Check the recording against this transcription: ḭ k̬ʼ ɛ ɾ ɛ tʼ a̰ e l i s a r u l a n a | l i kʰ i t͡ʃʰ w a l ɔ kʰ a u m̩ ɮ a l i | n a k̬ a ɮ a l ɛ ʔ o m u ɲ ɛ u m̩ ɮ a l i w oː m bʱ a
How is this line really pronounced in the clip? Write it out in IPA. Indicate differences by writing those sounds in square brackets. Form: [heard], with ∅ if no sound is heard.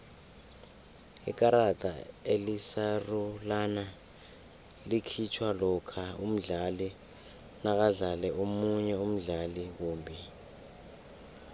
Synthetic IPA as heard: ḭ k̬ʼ [a] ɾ [a] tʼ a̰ e l i s a r u l a n a | l i kʰ i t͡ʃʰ w a l ɔ kʰ a u m̩ ɮ a l i | n a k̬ a ɮ a l ɛ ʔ o m u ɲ ɛ u m̩ ɮ a l i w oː m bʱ [i]

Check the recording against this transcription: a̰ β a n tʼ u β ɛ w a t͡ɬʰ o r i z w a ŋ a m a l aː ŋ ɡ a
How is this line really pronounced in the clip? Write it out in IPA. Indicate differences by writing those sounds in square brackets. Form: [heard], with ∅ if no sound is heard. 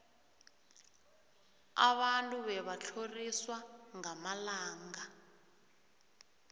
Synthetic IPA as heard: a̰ β a n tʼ u β ɛ [β] a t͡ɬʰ o r i [s] w a ŋ a m a l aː ŋ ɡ a

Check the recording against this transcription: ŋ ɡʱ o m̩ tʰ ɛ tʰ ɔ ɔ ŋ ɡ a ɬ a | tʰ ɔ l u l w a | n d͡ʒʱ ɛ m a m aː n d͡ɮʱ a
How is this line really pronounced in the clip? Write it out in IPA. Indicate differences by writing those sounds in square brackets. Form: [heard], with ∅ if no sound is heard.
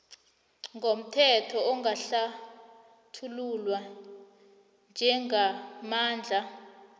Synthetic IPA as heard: ŋ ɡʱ o m̩ tʰ ɛ tʰ ɔ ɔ ŋ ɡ a ɬ a | tʰ [u] l u l w a | n d͡ʒʱ ɛ [ŋ] a m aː n d͡ɮʱ a

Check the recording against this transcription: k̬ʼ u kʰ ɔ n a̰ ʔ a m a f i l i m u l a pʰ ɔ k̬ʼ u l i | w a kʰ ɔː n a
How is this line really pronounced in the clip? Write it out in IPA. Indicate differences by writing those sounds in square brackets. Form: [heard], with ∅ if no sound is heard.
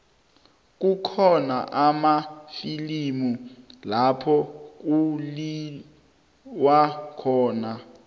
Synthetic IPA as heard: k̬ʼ u kʰ ɔ n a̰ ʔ a m a f i l i m u l a pʰ ɔ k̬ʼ u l i | w a kʰ ɔː n a

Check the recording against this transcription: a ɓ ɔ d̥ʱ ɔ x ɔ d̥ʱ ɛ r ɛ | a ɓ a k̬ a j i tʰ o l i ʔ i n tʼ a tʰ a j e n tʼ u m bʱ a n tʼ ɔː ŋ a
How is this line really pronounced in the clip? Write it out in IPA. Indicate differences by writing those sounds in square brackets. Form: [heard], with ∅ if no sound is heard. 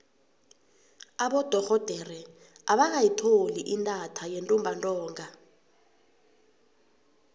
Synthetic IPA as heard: a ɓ ɔ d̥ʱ ɔ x ɔ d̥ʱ ɛ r ɛ | a ɓ a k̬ a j i tʰ o l i ʔ i n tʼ a tʰ a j e n tʼ u m bʱ a n tʼ ɔː ŋ a

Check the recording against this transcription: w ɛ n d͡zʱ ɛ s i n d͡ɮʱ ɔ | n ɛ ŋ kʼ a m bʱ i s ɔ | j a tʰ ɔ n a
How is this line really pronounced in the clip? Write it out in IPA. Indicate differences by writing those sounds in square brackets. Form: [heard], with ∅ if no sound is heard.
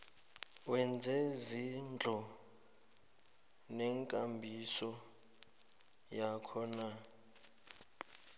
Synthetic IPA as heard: w ɛ n d͡zʱ ɛ [z] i n d͡ɮʱ ɔ | n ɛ ŋ kʼ a m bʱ i s ɔ | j a [kʰ] ɔ n a

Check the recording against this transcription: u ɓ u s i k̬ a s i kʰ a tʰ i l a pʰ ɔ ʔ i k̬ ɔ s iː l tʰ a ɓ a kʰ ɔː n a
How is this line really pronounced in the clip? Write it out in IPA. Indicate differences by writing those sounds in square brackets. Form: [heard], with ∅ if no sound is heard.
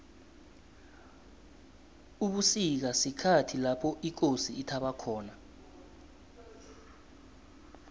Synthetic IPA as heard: u ɓ u s i k̬ a s i kʰ a tʰ i l a pʰ ɔ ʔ i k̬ [o] s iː [∅] tʰ a ɓ a kʰ ɔː n a

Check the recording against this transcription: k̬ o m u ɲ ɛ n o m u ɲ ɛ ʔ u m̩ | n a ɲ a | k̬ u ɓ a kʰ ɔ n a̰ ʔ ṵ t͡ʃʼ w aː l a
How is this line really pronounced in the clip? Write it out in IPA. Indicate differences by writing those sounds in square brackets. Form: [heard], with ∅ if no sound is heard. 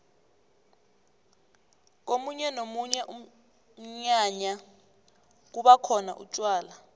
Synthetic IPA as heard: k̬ o m u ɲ ɛ n o m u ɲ ɛ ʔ u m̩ | [ɲ] a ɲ a | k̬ u ɓ a kʰ ɔ n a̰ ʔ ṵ t͡ʃʼ w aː l a

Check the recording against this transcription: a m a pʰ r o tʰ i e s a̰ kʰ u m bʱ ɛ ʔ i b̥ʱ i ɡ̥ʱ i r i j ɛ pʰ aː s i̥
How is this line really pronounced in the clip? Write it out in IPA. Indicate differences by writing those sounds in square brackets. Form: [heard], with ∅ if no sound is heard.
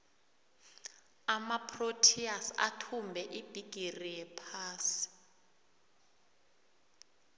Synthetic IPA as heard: a m a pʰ r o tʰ i [a] s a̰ [tʰ] u m bʱ ɛ ʔ i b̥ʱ i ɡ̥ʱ i r i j ɛ pʰ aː s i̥

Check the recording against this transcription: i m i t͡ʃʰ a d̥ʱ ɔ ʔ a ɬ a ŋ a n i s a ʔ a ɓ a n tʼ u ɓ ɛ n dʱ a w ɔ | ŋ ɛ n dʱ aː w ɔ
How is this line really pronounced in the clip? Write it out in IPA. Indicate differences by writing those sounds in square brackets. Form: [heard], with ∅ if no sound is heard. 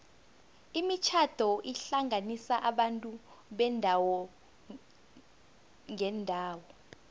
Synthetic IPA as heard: i m i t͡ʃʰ a d̥ʱ ɔ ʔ [i] ɬ a ŋ a n i s a ʔ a ɓ a n tʼ u ɓ ɛ n dʱ a w ɔ | ŋ ɛ n dʱ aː w ɔ

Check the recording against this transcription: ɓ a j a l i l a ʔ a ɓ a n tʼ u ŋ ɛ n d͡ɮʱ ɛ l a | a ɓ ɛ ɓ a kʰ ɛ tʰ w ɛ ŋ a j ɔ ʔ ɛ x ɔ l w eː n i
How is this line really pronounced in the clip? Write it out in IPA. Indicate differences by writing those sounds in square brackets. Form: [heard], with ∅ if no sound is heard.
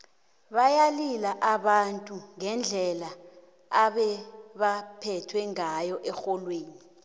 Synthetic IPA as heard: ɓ a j a l i l a ʔ a ɓ a n tʼ u ŋ ɛ n d͡ɮʱ ɛ l a | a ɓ ɛ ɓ a [pʰ] ɛ tʰ w ɛ ŋ a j ɔ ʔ ɛ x ɔ l w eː n i

